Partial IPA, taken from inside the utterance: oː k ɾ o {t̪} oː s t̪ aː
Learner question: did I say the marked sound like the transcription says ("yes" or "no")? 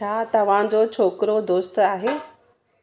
no